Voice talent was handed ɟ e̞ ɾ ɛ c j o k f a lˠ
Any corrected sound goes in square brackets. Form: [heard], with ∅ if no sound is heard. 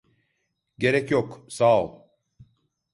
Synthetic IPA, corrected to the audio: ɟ e̞ ɾ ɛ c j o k [s] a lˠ